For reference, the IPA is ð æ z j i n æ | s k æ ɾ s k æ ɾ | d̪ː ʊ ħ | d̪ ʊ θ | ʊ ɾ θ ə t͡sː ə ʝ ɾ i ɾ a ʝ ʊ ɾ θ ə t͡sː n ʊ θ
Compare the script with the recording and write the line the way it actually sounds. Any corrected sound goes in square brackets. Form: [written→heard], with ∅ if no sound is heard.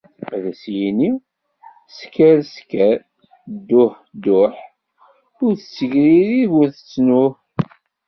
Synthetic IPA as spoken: ð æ [z→s] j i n [æ→i] | s k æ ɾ s k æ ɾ | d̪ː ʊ ħ | d̪ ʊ [θ→ħ] | ʊ ɾ θ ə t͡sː ə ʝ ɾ i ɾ [a→i] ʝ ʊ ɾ θ ə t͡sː n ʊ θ